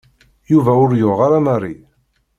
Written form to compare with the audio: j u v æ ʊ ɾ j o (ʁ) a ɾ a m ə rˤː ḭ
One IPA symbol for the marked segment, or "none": ʁ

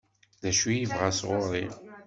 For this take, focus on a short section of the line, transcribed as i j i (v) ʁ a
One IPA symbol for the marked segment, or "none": v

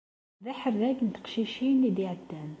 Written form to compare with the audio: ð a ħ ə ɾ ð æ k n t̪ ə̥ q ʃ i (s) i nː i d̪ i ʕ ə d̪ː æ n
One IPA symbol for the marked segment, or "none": ʃ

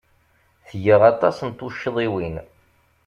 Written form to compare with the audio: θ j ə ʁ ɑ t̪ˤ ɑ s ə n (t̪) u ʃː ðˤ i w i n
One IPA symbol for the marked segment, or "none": t̪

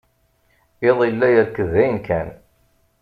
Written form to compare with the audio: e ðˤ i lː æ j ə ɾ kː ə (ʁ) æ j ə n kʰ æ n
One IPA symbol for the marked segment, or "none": ð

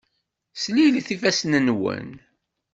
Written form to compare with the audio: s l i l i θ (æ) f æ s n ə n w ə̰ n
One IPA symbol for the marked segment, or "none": i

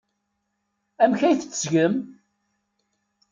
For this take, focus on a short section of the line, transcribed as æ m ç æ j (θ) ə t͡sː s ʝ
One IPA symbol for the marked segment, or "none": θ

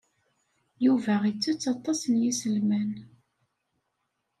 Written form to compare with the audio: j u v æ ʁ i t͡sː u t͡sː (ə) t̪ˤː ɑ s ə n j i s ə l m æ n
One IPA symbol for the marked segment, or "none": ɑ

